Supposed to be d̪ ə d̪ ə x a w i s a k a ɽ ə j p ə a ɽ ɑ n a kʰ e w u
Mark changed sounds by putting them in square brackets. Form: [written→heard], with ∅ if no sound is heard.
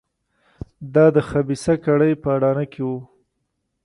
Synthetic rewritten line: d̪ [ə→ɑ] d̪ ə x a [w→b] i s a k a ɽ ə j p ə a ɽ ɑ n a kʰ e w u